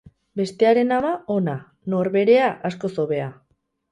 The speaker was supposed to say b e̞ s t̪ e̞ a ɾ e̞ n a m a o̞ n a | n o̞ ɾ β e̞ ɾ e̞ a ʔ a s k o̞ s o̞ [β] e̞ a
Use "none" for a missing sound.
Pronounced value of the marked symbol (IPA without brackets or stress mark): β